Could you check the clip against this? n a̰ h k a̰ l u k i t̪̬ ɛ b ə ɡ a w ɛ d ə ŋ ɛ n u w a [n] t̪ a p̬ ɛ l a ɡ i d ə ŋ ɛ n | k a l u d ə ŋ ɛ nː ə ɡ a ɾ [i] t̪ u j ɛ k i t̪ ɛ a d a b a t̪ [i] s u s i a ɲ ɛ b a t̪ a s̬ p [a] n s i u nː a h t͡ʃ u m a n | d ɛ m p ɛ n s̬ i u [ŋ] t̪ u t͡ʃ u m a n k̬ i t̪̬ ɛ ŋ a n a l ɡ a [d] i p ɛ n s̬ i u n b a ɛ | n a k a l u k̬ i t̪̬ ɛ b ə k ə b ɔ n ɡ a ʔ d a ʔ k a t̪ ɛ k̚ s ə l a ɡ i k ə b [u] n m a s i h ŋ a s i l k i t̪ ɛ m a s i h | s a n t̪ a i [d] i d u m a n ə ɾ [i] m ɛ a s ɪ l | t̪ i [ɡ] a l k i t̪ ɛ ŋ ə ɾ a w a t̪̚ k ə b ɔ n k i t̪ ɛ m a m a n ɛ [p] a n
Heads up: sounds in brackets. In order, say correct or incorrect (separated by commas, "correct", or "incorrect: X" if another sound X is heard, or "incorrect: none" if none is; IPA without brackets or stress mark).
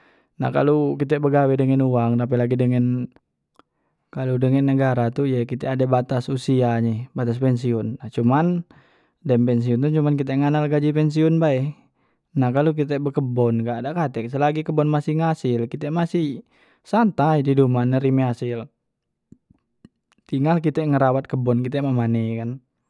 incorrect: ŋ, incorrect: a, incorrect: a, incorrect: ɛ, incorrect: n, incorrect: d͡ʒ, incorrect: ɔ, correct, correct, incorrect: ŋ, incorrect: k